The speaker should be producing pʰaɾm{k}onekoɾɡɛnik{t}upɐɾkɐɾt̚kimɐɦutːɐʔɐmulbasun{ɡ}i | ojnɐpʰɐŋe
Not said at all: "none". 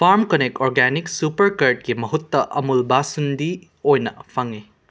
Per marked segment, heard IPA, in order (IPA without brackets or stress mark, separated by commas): k, s, d